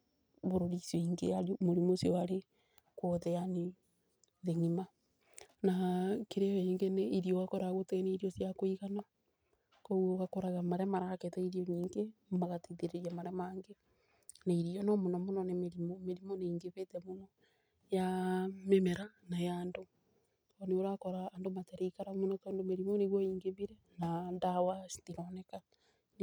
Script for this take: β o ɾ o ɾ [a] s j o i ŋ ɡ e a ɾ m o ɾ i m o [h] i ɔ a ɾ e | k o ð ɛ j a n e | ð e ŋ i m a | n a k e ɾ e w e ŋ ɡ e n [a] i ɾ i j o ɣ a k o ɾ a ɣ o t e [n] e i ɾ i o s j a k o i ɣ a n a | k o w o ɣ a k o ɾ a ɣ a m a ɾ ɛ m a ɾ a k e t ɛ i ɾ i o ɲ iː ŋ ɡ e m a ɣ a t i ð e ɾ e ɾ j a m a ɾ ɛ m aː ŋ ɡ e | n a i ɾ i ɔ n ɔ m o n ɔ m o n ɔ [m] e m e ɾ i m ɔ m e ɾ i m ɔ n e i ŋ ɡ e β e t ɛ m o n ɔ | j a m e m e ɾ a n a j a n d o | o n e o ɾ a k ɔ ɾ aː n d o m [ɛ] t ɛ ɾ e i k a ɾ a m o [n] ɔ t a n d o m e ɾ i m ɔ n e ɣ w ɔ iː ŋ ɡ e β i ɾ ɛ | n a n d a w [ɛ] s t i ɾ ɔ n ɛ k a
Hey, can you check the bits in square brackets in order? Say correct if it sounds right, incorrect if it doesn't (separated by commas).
incorrect, incorrect, incorrect, correct, incorrect, incorrect, correct, incorrect